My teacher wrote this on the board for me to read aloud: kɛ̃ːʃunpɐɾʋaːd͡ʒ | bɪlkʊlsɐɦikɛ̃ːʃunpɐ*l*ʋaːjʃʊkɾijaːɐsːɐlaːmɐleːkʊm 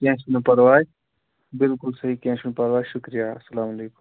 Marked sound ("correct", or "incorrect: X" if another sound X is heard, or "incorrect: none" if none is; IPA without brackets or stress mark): incorrect: ɾ